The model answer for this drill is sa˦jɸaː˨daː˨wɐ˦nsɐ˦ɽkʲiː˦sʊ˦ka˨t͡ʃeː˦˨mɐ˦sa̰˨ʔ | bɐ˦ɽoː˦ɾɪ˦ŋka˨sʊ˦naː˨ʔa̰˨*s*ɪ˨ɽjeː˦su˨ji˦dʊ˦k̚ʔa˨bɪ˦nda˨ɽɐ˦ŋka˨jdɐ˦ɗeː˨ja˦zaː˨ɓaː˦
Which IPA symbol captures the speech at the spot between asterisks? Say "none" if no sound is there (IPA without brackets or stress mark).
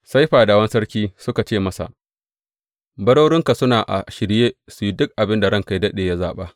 ʃ